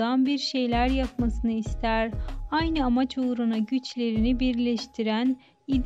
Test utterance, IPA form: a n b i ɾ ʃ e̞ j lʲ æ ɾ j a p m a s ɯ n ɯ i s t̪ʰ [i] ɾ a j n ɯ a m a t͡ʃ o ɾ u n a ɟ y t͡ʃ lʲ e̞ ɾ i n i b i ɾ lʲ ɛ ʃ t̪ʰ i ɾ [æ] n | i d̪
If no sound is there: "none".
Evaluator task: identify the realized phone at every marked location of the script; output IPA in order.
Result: æ, æ

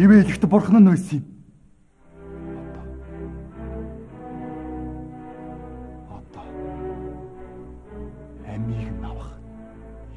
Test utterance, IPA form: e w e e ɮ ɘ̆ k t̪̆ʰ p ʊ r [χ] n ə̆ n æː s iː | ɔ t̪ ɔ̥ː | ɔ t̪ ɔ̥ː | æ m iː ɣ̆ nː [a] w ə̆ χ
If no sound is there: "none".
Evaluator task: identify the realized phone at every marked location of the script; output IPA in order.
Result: χ, a

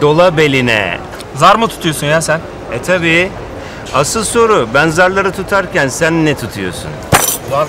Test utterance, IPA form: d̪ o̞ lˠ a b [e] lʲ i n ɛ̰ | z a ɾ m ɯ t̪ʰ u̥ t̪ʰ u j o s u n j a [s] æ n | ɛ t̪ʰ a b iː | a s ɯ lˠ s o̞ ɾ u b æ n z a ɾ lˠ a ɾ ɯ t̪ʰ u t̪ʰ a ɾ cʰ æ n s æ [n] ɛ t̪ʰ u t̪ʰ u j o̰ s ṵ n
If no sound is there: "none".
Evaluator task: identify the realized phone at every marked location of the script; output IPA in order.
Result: e, s, nː

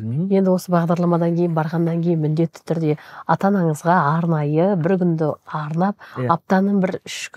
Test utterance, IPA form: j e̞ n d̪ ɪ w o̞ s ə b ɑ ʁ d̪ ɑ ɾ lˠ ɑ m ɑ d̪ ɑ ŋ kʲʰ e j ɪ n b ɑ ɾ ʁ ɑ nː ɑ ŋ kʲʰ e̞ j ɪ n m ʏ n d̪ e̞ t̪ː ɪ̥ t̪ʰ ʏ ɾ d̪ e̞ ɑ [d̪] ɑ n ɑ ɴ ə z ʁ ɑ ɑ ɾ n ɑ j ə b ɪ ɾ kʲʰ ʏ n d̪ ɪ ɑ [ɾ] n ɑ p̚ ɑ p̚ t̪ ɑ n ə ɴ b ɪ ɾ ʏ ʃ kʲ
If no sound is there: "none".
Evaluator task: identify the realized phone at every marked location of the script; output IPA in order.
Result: t̪, ɾ

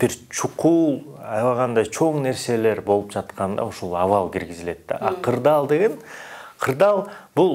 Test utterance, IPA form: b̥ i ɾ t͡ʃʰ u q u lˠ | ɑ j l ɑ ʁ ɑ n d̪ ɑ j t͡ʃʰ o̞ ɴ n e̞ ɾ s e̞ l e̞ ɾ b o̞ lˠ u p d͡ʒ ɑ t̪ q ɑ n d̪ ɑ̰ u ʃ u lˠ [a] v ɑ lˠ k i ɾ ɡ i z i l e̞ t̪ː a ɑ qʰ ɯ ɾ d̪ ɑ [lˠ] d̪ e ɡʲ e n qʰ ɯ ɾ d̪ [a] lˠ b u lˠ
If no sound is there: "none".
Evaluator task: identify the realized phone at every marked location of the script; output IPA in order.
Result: ɑ, lˠ, ɑ

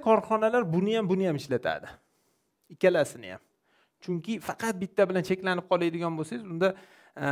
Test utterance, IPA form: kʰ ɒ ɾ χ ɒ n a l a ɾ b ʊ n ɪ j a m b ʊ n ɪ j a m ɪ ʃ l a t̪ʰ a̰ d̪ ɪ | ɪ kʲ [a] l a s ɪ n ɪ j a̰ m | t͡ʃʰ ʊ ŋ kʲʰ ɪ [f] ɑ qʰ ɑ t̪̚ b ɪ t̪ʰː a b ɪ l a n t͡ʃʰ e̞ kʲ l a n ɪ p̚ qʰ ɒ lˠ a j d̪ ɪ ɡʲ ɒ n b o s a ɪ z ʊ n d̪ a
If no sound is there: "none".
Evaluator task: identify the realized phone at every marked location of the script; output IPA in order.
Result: a, f

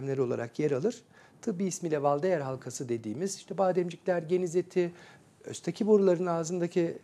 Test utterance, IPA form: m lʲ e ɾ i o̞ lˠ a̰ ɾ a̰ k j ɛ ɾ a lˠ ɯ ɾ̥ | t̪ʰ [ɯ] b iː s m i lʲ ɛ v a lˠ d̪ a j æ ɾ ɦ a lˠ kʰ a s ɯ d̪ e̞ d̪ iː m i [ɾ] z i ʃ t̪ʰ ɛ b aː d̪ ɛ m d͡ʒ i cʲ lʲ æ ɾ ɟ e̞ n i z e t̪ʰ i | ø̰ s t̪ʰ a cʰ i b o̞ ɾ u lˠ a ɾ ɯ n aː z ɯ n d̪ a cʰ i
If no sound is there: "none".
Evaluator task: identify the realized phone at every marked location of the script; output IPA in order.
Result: ɯ, none

